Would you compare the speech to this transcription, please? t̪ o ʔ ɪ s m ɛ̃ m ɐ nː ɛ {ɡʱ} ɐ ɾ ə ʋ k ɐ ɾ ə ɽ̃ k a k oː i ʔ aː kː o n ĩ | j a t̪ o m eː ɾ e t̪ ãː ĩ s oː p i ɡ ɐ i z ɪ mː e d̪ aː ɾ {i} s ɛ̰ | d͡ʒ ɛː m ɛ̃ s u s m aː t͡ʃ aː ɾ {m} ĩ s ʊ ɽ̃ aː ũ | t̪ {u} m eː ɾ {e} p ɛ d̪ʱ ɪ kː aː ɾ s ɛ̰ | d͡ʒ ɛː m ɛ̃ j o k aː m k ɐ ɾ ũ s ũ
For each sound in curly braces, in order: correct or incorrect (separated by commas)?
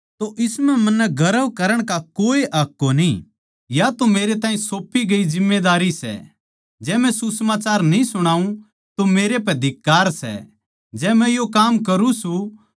correct, correct, incorrect, incorrect, correct